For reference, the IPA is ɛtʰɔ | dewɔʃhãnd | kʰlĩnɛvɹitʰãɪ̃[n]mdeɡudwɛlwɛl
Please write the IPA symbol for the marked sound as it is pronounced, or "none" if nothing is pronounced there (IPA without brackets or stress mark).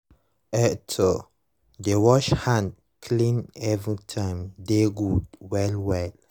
none